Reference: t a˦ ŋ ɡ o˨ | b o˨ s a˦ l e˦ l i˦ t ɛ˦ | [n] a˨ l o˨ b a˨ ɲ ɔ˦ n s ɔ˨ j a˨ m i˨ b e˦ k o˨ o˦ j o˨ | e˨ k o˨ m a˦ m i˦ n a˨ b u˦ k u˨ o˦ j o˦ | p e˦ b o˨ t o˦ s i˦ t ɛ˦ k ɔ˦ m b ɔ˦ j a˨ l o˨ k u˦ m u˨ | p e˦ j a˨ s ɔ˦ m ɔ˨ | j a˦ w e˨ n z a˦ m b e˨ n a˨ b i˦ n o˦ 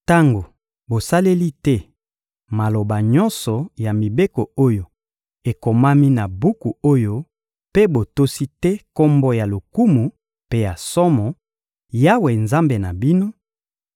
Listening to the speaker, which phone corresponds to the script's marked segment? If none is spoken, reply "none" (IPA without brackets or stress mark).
m